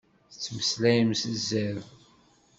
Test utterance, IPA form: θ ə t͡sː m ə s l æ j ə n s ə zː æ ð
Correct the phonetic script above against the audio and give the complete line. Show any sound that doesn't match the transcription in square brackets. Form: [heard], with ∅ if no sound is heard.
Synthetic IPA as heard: θ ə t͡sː m ə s l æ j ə [m] s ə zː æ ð